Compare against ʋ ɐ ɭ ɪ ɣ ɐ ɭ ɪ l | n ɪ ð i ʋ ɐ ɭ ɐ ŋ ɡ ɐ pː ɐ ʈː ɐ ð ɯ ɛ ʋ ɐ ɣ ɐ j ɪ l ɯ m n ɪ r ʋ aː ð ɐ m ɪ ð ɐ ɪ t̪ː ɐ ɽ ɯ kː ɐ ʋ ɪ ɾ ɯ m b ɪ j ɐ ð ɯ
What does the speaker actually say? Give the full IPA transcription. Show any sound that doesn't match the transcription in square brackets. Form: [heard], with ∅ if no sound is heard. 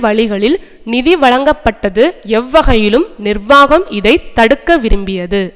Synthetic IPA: ʋ ɐ ɭ ɪ ɣ ɐ ɭ ɪ l | n ɪ ð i ʋ ɐ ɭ ɐ ŋ ɡ ɐ pː ɐ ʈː ɐ ð ɯ ɛ [ʋː] ɐ ɣ ɐ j ɪ l ɯ m n ɪ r ʋ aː [ɣ] ɐ m ɪ ð ɐ ɪ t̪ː ɐ ɽ ɯ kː ɐ ʋ ɪ ɾ ɯ m b ɪ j ɐ ð ɯ